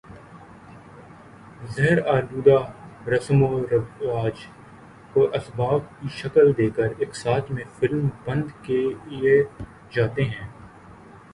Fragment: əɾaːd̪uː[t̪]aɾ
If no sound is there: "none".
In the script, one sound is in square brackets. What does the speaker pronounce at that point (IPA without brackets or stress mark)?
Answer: d̪